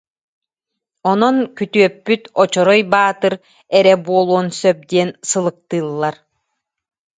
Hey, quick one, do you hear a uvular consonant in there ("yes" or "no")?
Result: no